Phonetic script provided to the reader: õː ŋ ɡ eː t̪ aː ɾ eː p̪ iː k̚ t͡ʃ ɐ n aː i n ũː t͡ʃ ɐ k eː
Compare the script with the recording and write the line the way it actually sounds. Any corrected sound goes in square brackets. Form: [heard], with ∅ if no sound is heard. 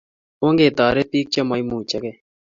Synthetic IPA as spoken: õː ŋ ɡ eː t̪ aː ɾ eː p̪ iː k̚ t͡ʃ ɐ [m] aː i [m] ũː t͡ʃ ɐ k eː